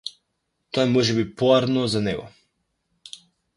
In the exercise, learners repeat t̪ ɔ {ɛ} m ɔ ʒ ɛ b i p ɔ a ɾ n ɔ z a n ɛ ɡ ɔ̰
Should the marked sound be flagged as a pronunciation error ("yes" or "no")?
no